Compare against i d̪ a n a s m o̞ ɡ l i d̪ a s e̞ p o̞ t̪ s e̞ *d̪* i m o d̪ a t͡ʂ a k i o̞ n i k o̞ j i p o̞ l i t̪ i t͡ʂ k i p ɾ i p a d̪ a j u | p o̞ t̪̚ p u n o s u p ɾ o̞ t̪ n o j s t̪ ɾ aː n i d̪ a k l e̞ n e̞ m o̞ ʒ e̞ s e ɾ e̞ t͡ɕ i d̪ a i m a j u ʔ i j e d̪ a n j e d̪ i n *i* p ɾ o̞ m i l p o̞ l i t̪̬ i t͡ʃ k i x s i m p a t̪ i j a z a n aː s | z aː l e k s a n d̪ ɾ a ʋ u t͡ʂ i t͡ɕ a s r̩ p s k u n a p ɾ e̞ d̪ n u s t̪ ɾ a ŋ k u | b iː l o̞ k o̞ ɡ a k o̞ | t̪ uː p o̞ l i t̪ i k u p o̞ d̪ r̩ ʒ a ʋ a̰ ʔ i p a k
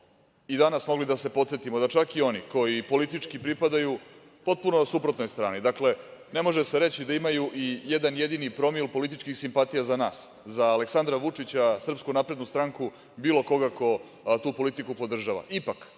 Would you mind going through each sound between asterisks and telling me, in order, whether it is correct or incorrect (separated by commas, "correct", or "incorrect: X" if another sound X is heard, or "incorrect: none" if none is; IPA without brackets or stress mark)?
incorrect: t̪, correct